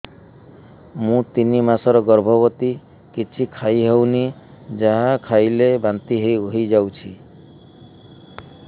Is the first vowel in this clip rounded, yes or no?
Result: yes